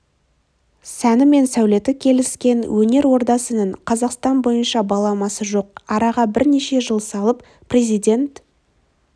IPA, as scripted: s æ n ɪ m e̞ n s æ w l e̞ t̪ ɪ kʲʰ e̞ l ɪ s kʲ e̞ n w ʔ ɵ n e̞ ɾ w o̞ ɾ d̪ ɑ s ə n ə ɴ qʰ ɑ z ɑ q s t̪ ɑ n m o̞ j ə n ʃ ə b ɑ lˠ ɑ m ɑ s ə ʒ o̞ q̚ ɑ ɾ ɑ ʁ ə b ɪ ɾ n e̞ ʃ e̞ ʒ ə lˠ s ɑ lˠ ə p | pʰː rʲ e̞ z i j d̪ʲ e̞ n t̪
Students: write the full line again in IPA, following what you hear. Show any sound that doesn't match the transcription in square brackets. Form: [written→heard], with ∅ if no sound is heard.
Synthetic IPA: s æ n ɪ m e̞ n s æ w l e̞ t̪ ɪ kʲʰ e̞ l ɪ s kʲ e̞ n w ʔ ɵ n e̞ ɾ w o̞ ɾ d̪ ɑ s ə n ə ɴ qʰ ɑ z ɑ q s t̪ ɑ n [m→b] o̞ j ə n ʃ [ə→ɑ] b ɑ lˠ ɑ m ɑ s ə ʒ o̞ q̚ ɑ ɾ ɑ ʁ [ə→ɑ] b ɪ ɾ n e̞ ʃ e̞ ʒ ə lˠ s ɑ lˠ ə p | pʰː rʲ e̞ z i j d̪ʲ e̞ n t̪

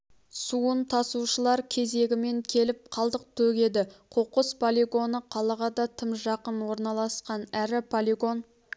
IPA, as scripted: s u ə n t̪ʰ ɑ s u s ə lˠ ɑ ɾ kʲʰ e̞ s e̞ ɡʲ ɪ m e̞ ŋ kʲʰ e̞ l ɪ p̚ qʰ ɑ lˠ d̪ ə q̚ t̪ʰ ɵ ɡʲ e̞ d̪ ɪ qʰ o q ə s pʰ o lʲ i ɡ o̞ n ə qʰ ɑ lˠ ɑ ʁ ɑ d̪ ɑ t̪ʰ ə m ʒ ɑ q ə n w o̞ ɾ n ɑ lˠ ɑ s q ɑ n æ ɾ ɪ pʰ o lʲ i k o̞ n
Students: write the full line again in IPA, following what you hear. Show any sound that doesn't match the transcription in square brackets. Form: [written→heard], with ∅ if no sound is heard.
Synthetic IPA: s u ə n t̪ʰ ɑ s u [s→ʃ] ə lˠ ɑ ɾ kʲʰ e̞ [s→z] e̞ ɡʲ ɪ m e̞ ŋ kʲʰ e̞ l ɪ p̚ qʰ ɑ lˠ d̪ ə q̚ t̪ʰ ɵ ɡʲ e̞ d̪ ɪ qʰ o q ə s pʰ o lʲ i ɡ o̞ n ə qʰ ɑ lˠ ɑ ʁ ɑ d̪ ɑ t̪ʰ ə m ʒ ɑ q ə n w o̞ ɾ n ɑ lˠ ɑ s q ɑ n æ ɾ ɪ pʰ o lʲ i [k→ɡ] o̞ n

